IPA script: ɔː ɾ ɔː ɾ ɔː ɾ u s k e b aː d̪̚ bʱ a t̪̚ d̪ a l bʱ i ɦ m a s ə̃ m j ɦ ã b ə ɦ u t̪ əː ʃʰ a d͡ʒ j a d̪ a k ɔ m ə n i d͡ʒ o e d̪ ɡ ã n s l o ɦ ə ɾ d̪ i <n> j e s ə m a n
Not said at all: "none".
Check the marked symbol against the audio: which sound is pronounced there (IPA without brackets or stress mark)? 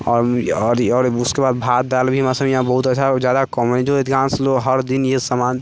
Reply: n